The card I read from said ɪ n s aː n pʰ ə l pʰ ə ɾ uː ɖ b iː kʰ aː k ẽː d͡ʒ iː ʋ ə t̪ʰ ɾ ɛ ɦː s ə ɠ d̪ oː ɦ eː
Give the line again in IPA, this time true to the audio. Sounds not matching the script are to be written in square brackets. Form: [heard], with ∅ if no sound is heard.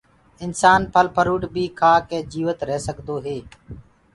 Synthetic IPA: ɪ n s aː n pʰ ə l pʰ ə ɾ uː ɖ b iː kʰ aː k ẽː d͡ʒ iː ʋ ə [t̪] ɾ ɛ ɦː s ə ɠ d̪ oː ɦ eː